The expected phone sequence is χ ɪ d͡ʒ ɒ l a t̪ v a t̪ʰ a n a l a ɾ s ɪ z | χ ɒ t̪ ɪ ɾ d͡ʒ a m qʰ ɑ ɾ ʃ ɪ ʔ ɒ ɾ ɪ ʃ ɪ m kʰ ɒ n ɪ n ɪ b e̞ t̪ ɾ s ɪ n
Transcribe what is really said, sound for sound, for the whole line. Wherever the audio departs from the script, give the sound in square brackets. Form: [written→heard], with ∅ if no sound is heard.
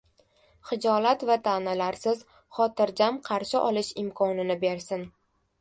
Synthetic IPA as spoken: χ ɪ d͡ʒ ɒ l a t̪ v a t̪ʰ a n a l a ɾ s ɪ z | χ ɒ t̪ ɪ ɾ d͡ʒ a m qʰ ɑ ɾ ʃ ɪ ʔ ɒ [ɾ→l] ɪ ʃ ɪ m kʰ ɒ n ɪ n ɪ b e̞ [t̪→∅] ɾ s ɪ n